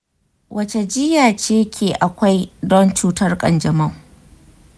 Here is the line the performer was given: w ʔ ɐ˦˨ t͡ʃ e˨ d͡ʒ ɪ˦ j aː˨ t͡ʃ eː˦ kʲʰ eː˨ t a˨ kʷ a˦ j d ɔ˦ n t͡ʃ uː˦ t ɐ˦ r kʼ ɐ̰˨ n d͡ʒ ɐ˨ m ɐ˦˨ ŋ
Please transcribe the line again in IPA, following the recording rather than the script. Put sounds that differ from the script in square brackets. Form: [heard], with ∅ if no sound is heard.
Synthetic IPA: w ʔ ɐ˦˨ t͡ʃ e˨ d͡ʒ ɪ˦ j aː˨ t͡ʃ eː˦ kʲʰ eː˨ [ʔ] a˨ kʷ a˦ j d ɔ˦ n t͡ʃ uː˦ t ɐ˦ r kʼ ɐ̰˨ n d͡ʒ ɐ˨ m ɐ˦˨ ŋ

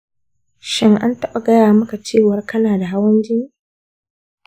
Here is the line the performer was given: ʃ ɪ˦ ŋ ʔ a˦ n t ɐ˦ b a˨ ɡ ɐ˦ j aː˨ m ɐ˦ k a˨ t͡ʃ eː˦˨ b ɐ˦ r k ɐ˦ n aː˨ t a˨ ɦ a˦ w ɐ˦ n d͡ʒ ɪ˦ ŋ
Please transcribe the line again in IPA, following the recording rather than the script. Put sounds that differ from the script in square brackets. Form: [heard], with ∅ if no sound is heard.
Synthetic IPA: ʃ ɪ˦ ŋ ʔ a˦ n t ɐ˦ [ɓ] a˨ ɡ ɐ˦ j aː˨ m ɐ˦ k a˨ t͡ʃ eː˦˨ [w] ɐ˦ r k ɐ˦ n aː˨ [d] a˨ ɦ a˦ w ɐ˦ n d͡ʒ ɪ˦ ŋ

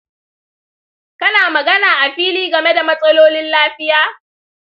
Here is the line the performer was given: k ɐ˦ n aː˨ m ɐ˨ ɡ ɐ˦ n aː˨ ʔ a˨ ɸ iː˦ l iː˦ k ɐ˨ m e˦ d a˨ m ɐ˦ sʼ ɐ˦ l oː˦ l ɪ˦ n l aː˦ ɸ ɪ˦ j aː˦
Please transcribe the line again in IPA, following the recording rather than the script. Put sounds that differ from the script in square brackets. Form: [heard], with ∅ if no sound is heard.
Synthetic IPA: k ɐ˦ n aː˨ m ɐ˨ ɡ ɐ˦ n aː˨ ʔ a˨ ɸ iː˦ l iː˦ [ɡ] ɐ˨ m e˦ d a˨ m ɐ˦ sʼ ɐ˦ l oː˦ l ɪ˦ n l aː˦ ɸ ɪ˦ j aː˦

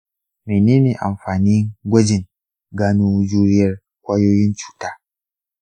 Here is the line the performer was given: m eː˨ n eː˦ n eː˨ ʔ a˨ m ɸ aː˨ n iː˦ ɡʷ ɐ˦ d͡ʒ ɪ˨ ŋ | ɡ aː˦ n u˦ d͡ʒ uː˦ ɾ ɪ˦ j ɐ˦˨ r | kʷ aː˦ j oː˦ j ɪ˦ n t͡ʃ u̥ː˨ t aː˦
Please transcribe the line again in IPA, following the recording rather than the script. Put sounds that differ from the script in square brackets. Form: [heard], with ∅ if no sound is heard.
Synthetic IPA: m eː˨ n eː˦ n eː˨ ʔ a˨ m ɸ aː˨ n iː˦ ɡʷ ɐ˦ d͡ʒ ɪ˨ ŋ | ɡ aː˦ n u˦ d͡ʒ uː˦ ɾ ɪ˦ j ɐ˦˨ r | kʷ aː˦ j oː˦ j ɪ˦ n t͡ʃ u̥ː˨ t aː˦

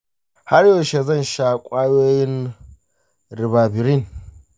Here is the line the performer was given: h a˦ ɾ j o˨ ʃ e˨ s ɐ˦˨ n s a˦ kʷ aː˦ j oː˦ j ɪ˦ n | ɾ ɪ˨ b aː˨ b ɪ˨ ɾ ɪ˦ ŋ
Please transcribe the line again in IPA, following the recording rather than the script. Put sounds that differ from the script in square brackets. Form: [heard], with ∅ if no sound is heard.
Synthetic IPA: h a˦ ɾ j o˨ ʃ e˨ [z] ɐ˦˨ n [ʃ] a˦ [kʷʼ] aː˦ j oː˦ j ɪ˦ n | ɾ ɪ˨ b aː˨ b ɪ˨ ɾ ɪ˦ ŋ

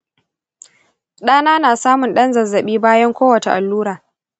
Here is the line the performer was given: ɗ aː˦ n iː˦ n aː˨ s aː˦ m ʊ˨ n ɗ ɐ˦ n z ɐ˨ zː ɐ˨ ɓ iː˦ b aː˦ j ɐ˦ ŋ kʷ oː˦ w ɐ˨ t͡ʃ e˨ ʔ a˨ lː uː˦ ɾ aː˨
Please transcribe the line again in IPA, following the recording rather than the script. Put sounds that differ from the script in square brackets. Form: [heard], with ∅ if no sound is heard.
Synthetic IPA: ɗ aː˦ n [aː˦] n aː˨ s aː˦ m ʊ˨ n ɗ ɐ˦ n z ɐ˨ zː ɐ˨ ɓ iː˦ b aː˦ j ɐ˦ ŋ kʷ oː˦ w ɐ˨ t͡ʃ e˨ ʔ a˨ lː uː˦ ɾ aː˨

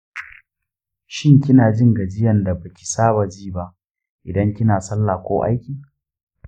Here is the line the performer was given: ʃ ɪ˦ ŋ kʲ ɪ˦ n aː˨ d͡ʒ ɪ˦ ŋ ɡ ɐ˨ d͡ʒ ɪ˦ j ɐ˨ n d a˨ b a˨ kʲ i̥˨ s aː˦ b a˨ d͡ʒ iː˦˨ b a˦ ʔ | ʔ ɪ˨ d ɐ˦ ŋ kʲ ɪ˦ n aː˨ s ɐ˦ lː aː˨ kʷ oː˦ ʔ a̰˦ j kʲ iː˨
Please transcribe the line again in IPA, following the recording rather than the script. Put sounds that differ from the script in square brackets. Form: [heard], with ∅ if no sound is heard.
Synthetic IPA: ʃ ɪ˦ ŋ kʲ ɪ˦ n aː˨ d͡ʒ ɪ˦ ŋ ɡ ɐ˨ d͡ʒ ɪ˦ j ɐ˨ n d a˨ b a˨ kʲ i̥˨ s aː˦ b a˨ d͡ʒ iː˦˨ b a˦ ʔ | ʔ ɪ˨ d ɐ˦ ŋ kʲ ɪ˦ n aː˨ s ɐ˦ lː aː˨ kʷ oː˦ ʔ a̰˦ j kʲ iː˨

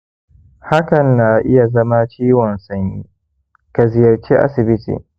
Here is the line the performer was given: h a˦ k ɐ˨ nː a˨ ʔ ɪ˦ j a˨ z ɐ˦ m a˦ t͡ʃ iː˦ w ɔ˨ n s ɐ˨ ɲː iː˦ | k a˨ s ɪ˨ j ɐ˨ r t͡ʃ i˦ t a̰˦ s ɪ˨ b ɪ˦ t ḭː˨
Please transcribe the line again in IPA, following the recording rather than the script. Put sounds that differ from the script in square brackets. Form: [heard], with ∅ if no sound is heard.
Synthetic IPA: h a˦ k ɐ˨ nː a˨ ʔ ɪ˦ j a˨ z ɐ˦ m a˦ t͡ʃ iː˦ w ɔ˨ n s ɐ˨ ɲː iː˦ | k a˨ [z] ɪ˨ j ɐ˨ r t͡ʃ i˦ [ʔ] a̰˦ s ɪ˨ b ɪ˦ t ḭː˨

